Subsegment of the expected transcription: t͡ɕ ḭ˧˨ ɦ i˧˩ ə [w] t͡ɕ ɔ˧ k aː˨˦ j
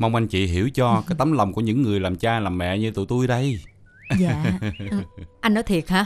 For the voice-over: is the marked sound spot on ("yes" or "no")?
yes